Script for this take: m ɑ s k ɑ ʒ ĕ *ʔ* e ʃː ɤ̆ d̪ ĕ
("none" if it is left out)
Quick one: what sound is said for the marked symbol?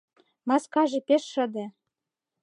p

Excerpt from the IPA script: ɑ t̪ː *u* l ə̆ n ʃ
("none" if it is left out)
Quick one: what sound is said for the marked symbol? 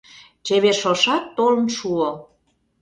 o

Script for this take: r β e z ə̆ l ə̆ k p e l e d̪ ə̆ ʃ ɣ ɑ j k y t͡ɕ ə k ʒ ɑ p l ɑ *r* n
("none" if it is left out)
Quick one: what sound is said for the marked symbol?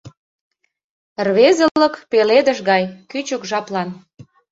none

